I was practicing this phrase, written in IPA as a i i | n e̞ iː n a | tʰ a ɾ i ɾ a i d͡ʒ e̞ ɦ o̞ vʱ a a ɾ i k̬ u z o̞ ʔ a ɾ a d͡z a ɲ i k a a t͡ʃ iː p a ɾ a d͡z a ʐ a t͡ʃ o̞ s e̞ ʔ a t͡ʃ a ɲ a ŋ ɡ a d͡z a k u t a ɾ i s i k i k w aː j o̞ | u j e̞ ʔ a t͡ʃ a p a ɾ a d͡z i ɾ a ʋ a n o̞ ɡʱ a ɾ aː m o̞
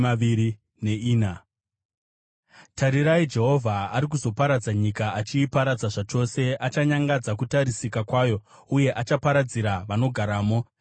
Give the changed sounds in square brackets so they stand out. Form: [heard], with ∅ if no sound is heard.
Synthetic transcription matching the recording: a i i | n e̞ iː n a | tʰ a ɾ i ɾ a i d͡ʒ e̞ ɦ o̞ vʱ a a ɾ i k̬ u z o̞ [p] a ɾ a d͡z a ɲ i k a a t͡ʃ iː p a ɾ a d͡z a ʐ a t͡ʃ o̞ s e̞ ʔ a t͡ʃ a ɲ a ŋ ɡ a d͡z a k u t a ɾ i s i k [a] k w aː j o̞ | u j e̞ ʔ a t͡ʃ a p a ɾ a d͡z i ɾ a ʋ a n o̞ ɡʱ a ɾ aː m o̞